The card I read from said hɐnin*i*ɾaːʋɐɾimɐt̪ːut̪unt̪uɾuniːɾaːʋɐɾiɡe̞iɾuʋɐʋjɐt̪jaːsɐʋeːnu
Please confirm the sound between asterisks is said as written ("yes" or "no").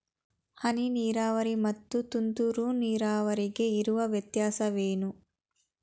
no